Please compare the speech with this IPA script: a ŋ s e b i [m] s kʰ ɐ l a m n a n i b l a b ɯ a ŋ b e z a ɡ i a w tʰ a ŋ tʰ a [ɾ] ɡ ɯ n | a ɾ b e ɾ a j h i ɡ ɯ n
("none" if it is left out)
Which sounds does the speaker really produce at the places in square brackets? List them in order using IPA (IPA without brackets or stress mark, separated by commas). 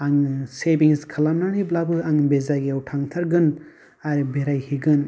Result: ŋ, ɾ